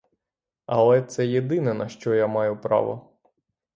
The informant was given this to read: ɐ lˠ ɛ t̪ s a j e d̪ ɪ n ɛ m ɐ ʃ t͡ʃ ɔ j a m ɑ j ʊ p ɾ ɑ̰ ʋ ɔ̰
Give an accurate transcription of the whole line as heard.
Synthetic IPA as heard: ɐ lˠ ɛ t̪ s ɛ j e d̪ ɪ n ɛ n ɐ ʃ t͡ʃ ɔ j a m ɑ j ʊ p ɾ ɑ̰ ʋ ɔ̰